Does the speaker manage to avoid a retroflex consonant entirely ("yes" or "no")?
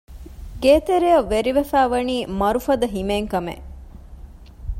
yes